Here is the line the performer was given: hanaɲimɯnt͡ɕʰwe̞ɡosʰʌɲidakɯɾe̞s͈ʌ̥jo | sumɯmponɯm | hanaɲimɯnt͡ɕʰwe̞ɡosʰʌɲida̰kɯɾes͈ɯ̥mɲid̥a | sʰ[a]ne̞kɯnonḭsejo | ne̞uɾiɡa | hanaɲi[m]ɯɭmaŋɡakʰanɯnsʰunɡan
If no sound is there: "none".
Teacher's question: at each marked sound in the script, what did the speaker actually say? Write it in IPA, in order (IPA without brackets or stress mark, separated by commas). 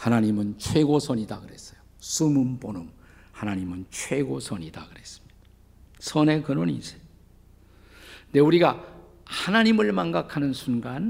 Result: ʌ, m